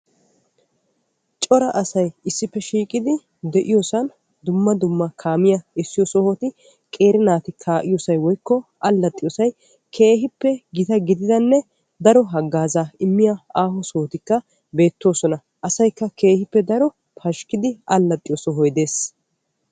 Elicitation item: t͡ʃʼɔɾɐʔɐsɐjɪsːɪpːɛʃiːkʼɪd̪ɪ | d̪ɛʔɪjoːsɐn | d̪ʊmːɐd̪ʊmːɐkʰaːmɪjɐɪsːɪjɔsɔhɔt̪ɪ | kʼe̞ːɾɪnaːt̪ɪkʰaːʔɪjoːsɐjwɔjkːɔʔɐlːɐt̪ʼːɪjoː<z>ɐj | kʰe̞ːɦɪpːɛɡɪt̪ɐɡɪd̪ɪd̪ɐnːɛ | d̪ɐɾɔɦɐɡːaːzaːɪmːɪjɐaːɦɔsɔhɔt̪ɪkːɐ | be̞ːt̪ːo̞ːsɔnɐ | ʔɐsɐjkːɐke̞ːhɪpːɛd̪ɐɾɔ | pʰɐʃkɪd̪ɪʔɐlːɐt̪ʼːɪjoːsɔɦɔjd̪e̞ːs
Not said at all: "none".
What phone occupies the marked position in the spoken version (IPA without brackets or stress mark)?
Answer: s